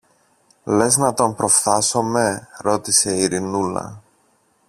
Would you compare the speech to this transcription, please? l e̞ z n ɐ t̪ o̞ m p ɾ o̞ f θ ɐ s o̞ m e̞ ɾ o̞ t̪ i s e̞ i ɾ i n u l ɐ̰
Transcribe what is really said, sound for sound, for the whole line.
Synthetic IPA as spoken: l e̞ z n ɐ t̪ o̞ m p ɾ o̞ f θ ɐ s o̞ m e̞ ɾ o̞ t̪ i s e̞ i ɾ i n u l ɐ̰